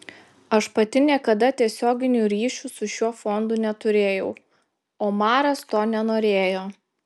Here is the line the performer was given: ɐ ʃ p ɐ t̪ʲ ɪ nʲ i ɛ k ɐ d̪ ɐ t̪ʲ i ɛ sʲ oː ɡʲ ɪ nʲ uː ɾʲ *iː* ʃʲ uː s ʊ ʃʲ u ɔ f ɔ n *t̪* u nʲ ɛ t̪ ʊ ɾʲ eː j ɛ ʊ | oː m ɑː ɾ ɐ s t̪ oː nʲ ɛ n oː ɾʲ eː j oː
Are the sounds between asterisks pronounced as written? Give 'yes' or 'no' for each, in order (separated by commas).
yes, no